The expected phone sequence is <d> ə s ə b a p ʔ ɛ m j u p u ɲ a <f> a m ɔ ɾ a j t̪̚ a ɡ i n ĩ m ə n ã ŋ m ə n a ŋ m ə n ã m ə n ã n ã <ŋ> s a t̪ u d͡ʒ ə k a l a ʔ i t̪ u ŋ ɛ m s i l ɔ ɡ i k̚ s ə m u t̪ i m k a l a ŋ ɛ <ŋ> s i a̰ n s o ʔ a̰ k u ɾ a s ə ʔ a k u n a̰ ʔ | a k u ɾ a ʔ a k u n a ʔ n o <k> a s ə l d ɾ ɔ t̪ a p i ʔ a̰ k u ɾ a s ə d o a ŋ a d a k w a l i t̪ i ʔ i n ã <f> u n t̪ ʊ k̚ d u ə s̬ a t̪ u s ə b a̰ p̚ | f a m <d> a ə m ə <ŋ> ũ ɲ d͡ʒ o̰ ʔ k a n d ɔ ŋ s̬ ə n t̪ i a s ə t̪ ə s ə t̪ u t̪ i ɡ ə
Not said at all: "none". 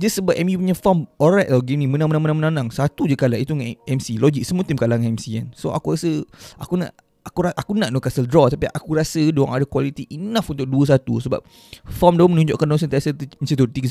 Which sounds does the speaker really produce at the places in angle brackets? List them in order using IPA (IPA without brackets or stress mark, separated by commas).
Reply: d͡ʒ, f, ŋ, m, k, f, d, n